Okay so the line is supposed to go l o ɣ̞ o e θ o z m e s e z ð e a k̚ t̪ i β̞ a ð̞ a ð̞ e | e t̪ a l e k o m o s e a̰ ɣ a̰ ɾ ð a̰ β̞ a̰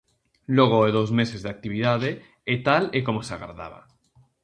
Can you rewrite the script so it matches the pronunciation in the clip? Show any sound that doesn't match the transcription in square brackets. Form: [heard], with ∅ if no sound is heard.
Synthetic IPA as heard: l o ɣ̞ o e [ð] o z m e s e z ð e a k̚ t̪ i β̞ [i] ð̞ a ð̞ e | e t̪ a l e k o m o s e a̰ ɣ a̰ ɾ ð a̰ β̞ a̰